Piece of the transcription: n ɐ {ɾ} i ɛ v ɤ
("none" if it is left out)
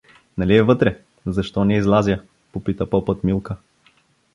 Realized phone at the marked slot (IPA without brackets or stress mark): l